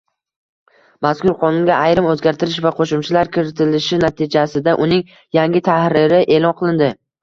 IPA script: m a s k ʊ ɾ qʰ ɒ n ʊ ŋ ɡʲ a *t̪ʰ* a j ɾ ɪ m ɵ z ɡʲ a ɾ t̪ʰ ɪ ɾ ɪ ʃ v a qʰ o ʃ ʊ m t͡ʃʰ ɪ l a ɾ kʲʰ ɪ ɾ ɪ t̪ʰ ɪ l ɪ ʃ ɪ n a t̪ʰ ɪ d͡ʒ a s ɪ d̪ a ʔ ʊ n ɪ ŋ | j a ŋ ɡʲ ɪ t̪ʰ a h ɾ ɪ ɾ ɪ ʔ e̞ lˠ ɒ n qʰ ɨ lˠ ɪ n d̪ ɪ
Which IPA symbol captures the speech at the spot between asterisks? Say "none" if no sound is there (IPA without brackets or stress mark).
none